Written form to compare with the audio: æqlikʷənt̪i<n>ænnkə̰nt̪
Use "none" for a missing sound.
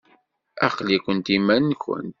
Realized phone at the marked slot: m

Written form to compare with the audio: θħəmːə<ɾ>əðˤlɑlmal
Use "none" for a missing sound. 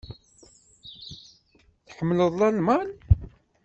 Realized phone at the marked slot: l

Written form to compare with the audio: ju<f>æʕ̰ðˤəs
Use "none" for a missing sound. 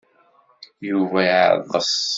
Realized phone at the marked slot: v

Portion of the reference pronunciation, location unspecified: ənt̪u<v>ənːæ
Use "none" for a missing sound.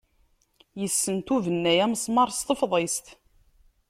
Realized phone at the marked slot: v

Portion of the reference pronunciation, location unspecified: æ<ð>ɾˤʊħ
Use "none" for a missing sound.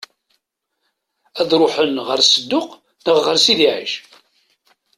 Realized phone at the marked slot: ð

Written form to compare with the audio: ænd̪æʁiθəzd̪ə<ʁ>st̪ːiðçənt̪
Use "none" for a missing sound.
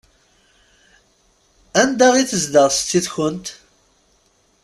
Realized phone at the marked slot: ʁ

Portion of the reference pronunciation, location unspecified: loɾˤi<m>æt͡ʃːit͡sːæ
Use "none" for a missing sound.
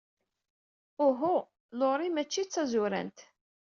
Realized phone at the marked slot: m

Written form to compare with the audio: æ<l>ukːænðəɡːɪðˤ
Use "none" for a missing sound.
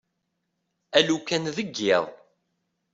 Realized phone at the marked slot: l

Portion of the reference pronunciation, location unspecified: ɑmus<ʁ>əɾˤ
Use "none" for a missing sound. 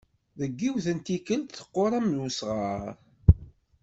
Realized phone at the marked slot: ʁ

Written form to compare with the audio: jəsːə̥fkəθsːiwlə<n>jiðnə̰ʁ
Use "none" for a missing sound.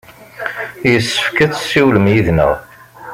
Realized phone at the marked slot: m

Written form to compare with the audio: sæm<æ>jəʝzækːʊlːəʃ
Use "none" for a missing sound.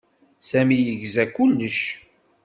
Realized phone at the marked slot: i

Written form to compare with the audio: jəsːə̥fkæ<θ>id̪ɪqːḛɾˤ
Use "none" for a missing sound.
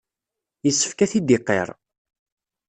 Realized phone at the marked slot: θ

